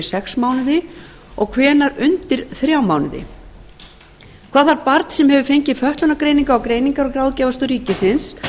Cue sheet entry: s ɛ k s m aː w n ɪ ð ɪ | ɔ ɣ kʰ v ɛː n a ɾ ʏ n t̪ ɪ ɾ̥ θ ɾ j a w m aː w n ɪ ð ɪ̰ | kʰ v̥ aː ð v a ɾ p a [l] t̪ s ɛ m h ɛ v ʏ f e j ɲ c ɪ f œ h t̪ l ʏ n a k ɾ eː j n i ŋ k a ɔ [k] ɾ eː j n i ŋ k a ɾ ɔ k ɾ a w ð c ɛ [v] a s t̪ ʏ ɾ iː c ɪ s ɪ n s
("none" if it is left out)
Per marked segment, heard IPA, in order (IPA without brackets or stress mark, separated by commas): ɾ, k, v